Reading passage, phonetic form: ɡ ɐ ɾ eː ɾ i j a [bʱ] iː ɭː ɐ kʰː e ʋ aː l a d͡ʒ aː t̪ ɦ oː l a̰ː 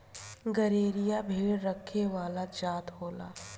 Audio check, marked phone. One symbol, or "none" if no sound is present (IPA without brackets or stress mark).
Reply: bʱ